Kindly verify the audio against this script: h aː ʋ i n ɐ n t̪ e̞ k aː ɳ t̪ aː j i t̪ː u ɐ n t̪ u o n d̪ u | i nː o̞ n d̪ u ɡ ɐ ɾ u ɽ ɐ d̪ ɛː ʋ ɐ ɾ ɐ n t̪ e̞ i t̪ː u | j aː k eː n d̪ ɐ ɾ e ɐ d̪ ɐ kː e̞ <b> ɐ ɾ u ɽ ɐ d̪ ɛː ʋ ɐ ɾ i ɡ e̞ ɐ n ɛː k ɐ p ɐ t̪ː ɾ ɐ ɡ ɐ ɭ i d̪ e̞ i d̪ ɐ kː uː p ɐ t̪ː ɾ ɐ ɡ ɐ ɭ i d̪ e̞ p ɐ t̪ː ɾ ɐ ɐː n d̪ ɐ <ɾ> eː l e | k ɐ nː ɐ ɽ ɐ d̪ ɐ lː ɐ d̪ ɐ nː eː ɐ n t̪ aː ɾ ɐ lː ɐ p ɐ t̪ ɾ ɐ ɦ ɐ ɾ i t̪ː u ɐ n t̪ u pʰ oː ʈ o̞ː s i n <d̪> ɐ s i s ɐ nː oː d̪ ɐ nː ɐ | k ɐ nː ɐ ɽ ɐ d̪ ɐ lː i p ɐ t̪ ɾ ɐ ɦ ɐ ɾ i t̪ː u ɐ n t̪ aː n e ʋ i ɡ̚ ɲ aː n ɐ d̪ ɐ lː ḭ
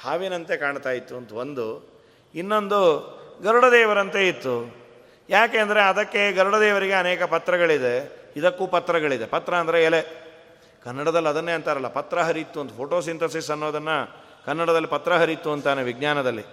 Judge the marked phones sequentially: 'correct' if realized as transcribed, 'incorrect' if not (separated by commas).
incorrect, correct, incorrect